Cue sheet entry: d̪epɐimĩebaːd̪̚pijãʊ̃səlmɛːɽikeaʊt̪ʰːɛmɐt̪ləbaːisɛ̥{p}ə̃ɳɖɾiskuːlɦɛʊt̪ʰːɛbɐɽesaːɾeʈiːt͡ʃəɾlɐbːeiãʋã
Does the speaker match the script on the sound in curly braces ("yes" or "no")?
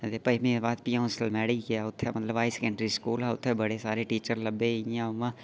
no